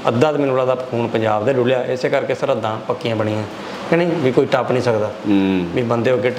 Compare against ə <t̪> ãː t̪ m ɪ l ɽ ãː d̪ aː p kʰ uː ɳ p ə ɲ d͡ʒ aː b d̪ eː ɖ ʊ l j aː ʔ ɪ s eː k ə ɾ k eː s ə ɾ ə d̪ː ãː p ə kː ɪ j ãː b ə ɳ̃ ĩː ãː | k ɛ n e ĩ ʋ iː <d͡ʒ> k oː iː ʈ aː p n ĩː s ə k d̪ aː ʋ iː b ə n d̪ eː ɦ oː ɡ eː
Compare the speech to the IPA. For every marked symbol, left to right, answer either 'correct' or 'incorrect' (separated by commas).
incorrect, incorrect